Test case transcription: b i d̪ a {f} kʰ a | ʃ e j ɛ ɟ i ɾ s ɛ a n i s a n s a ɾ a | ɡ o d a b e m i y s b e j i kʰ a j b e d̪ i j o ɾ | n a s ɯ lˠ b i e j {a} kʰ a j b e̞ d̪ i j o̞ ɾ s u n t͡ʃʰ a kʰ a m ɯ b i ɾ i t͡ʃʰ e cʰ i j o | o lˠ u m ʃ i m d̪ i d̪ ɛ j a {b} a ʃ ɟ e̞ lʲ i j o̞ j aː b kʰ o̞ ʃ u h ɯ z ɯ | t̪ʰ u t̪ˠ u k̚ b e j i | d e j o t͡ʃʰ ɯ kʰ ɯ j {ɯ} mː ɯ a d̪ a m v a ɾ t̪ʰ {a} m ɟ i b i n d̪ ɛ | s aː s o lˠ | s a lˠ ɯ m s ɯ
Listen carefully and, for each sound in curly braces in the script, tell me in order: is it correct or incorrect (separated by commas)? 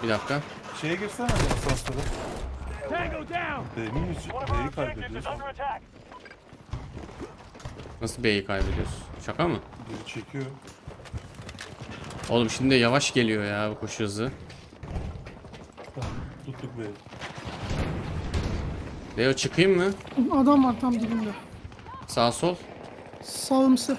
correct, incorrect, incorrect, correct, correct